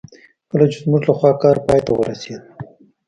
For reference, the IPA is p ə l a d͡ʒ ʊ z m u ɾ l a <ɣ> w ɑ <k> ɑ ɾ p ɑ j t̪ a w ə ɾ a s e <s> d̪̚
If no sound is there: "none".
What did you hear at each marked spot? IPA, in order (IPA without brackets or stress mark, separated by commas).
x, k, none